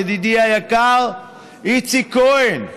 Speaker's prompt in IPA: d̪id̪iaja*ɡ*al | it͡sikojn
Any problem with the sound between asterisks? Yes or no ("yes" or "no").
yes